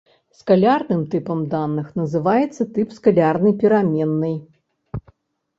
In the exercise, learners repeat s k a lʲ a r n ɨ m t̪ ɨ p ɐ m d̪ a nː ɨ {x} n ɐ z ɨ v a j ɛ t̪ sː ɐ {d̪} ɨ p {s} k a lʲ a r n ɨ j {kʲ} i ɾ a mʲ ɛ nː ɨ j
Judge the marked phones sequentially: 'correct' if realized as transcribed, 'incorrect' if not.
correct, incorrect: t̪, correct, incorrect: pʲ

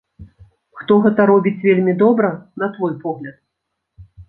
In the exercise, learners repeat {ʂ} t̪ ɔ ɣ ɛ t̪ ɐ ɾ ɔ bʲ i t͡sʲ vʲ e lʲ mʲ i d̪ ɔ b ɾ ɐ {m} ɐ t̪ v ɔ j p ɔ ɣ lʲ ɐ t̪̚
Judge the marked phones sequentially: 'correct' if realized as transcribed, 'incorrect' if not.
incorrect: x, incorrect: n

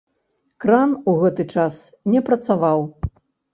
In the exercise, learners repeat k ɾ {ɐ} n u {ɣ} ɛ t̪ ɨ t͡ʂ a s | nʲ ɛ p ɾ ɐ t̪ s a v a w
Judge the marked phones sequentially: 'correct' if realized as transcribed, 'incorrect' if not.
incorrect: a, correct

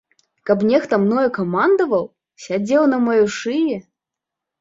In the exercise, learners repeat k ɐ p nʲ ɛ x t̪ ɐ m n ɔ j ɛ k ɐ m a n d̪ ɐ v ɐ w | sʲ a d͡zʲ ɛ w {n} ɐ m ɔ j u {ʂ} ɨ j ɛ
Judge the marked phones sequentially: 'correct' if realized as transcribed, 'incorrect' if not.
correct, correct

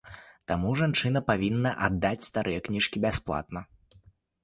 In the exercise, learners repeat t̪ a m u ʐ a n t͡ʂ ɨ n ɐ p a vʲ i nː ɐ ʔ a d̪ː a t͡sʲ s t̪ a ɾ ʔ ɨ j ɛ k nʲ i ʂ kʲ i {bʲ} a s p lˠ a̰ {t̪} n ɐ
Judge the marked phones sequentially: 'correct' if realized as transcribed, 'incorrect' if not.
correct, correct

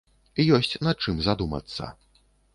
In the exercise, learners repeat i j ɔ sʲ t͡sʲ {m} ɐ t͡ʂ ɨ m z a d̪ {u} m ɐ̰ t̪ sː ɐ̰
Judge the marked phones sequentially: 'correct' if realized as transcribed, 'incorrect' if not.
incorrect: n, correct

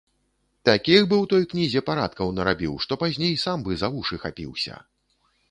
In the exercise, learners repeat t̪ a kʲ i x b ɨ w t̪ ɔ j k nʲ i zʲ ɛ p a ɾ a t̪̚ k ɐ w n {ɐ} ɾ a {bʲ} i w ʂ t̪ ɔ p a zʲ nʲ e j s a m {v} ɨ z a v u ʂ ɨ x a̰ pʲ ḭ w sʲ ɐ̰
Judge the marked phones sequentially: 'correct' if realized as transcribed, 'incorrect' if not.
correct, correct, incorrect: b

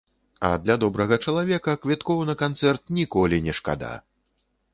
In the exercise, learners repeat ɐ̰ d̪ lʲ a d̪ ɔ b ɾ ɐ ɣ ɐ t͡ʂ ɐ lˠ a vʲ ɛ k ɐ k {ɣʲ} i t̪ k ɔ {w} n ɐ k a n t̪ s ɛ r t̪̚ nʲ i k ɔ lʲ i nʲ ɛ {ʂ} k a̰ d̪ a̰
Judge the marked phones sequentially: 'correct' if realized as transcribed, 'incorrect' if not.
incorrect: vʲ, correct, correct

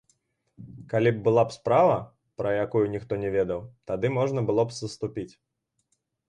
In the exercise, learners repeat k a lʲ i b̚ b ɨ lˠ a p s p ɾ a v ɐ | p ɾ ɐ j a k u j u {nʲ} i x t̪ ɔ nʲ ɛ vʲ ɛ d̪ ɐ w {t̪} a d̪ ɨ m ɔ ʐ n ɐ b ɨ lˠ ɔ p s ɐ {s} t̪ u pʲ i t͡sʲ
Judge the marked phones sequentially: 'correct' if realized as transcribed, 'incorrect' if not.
correct, correct, correct

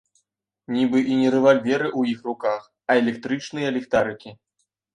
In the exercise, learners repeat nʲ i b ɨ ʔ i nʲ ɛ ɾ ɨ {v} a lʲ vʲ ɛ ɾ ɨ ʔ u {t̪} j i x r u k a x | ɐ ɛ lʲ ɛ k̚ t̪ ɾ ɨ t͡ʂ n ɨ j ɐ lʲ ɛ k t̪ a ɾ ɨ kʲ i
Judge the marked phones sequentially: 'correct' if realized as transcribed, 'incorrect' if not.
correct, incorrect: none

